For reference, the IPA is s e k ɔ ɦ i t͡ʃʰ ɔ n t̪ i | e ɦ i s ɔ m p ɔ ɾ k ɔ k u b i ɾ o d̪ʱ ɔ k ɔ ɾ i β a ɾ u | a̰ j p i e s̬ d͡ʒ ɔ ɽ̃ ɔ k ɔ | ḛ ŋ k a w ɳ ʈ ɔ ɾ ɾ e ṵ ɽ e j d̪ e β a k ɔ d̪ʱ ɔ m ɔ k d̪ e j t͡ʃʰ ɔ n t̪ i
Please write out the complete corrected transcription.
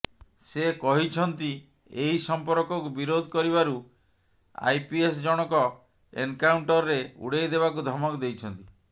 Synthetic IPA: s e k ɔ ɦ i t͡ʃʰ ɔ n t̪ i | e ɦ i s ɔ m p ɔ ɾ k ɔ k u b i ɾ o d̪ʱ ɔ k ɔ ɾ i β a ɾ u | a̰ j p i e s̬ d͡ʒ ɔ ɽ̃ ɔ k ɔ | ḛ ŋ k a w ɳ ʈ ɔ ɾ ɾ e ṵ ɽ e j d̪ e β a k u d̪ʱ ɔ m ɔ k d̪ e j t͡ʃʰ ɔ n t̪ i